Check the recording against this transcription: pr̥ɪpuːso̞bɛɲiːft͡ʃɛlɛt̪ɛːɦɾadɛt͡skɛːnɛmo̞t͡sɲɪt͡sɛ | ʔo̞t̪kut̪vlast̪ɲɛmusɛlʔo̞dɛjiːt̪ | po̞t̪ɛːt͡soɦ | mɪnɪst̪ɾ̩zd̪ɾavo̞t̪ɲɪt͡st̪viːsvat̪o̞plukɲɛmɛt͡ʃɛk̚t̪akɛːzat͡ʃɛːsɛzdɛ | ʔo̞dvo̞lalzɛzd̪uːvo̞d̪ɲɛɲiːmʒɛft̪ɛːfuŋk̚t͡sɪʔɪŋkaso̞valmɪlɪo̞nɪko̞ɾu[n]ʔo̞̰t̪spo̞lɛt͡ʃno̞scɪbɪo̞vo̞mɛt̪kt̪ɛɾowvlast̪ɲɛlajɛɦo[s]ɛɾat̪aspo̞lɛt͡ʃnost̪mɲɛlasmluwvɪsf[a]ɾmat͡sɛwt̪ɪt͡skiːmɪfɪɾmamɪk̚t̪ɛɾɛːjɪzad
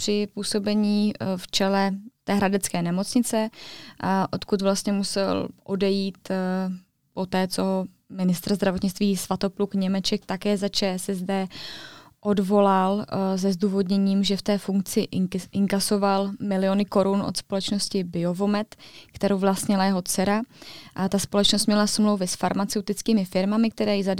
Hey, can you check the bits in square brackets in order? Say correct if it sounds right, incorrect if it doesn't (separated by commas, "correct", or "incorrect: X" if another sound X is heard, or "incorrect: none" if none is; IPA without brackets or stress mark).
correct, incorrect: t͡s, correct